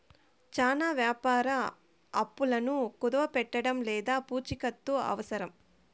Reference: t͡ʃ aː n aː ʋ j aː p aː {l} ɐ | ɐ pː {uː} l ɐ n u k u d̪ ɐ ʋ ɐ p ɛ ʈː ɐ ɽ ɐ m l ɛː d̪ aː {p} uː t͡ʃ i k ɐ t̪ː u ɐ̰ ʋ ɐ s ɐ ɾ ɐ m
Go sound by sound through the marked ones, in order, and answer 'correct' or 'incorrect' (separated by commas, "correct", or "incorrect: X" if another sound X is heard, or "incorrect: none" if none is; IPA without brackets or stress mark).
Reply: incorrect: ɾ, incorrect: u, correct